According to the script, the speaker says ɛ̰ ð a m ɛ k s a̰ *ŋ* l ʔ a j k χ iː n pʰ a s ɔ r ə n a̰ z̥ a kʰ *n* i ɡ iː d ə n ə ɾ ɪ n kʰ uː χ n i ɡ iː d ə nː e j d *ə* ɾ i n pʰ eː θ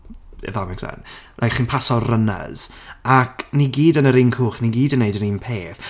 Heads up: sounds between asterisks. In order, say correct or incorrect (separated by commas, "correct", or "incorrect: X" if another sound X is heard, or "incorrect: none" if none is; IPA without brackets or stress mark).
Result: incorrect: n, correct, correct